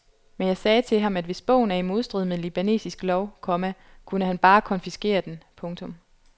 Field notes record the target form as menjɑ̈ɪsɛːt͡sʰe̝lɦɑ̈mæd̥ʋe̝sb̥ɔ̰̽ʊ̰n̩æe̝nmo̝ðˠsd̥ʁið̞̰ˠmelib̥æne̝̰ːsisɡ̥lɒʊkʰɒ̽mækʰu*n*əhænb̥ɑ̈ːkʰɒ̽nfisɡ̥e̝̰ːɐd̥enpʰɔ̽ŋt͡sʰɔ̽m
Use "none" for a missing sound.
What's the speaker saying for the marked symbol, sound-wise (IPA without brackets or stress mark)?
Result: n